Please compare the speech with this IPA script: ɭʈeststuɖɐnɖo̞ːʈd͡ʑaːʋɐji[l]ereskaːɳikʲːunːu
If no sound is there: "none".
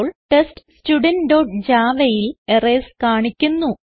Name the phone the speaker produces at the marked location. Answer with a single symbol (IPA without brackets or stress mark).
l